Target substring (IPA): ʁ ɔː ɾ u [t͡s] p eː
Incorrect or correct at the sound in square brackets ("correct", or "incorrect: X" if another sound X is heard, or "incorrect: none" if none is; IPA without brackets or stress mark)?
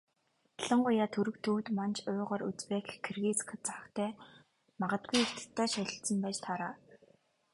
correct